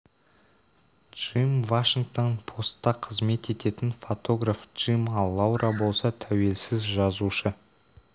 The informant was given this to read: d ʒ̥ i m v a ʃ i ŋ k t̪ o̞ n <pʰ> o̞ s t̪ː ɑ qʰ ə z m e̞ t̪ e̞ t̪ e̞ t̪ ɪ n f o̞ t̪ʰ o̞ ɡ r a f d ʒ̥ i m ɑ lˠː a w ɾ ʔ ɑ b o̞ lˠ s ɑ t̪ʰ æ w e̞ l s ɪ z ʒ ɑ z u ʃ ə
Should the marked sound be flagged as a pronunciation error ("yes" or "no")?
no